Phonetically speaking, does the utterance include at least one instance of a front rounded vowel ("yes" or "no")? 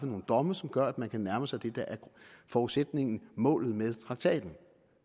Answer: yes